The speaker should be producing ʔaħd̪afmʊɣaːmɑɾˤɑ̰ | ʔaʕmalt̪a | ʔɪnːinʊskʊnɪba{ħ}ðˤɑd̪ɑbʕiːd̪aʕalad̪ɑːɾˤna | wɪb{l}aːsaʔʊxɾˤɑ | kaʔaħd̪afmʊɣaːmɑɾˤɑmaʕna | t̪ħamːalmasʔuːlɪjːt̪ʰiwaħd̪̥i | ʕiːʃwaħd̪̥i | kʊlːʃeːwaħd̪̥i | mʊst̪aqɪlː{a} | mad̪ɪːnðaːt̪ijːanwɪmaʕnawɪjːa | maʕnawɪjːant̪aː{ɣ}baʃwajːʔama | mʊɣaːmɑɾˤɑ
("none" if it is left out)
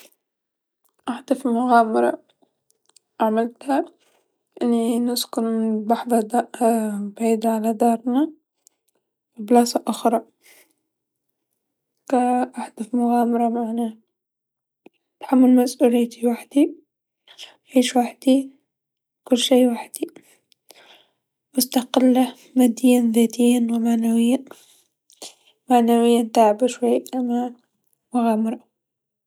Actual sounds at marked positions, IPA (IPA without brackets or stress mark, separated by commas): ħ, l, a, ʕ